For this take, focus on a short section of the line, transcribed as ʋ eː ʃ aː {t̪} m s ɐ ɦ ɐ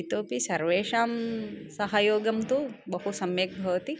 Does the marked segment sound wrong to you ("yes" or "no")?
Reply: yes